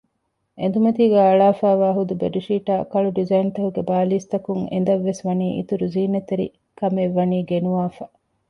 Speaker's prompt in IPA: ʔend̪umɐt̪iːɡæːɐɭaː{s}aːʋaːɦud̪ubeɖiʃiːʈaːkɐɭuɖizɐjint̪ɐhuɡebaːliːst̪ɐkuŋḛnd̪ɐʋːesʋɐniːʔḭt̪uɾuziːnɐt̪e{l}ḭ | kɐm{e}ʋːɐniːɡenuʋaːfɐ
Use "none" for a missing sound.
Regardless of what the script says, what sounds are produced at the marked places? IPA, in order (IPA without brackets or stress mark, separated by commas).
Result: f, ɾ, e